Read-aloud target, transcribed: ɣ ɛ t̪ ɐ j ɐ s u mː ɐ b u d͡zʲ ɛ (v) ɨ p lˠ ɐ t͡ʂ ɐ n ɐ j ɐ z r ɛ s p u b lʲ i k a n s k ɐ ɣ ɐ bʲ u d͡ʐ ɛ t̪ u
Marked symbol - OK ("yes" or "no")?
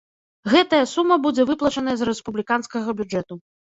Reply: yes